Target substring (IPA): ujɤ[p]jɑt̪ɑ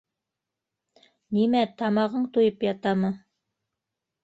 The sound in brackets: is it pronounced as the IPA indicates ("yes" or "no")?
yes